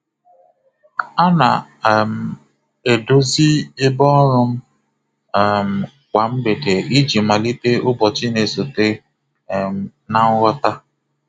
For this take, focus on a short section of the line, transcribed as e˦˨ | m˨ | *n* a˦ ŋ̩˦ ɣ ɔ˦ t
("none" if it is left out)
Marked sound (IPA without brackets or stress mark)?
n